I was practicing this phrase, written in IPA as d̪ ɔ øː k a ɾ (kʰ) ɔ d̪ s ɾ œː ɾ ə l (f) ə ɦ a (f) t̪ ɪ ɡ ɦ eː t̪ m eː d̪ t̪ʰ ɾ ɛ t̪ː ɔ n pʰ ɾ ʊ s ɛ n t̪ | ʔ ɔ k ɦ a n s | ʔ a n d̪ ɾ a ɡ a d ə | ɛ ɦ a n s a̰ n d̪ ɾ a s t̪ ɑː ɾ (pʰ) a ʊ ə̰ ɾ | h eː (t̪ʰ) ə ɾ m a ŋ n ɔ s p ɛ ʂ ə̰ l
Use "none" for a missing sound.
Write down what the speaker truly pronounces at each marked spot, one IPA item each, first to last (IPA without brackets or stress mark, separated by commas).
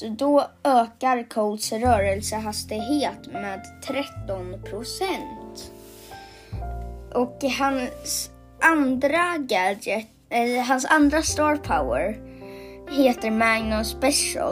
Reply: kʰ, s, s, pʰ, t̪